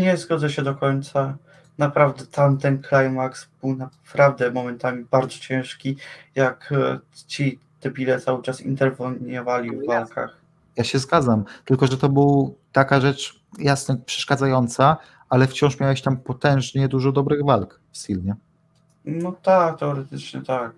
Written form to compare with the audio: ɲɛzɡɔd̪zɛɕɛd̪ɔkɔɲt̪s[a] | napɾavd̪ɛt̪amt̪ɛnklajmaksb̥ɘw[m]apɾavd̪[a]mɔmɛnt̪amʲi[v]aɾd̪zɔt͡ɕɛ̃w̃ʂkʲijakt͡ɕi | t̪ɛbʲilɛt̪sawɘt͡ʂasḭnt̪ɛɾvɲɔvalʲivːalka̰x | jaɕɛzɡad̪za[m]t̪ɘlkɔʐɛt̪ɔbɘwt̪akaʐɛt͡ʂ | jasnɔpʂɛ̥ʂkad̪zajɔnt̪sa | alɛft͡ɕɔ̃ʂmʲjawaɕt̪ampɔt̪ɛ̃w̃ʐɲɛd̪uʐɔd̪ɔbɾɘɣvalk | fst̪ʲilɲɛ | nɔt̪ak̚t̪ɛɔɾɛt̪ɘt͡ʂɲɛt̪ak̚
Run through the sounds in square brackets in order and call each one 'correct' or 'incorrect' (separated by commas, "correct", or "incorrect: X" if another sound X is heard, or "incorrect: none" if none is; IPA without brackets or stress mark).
correct, incorrect: n, incorrect: ɛ, incorrect: b, correct